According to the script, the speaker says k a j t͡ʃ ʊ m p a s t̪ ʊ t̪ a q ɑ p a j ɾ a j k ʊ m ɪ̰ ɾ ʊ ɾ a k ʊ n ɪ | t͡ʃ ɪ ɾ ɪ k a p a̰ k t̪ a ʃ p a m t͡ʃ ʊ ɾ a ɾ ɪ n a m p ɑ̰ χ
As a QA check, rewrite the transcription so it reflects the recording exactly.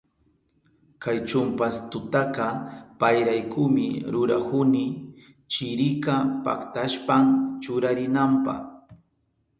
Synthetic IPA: k a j t͡ʃ ʊ m p a s t̪ ʊ t̪ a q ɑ p a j ɾ a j k ʊ m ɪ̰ ɾ ʊ ɾ a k ʊ n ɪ | t͡ʃ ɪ ɾ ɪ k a p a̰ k t̪ a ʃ p a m t͡ʃ ʊ ɾ a ɾ ɪ n a m p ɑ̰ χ